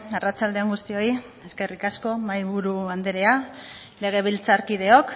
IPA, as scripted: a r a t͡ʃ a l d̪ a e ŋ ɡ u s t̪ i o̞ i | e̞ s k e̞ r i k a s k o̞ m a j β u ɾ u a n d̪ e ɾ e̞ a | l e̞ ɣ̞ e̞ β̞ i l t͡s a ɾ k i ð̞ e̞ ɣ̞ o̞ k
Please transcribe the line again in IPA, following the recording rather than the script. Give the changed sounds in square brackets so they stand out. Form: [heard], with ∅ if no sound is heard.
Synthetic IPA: a r a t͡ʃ a l d̪ [e] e ŋ ɡ u s t̪ i o̞ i | e̞ s k e̞ r i k a s k o̞ m a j β u ɾ u a n d̪ e ɾ e̞ a | l e̞ ɣ̞ e̞ β̞ i l t͡s a ɾ k i ð̞ e̞ [∅] o̞ k